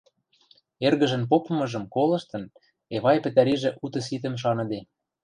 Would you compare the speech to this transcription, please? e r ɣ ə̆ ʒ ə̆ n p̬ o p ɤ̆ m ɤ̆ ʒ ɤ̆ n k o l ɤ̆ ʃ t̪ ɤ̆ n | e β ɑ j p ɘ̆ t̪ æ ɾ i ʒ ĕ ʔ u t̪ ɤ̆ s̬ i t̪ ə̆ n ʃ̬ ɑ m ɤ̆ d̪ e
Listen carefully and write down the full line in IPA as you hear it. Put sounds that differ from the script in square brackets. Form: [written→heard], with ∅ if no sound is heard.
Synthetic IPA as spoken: e r ɣ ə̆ ʒ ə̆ n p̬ o p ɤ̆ m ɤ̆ ʒ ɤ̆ [n→m] k o l ɤ̆ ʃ t̪ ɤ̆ n | e β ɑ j p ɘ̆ t̪ æ ɾ i ʒ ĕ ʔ u t̪ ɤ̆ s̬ i t̪ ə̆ [n→m] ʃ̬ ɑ [m→n] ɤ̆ d̪ e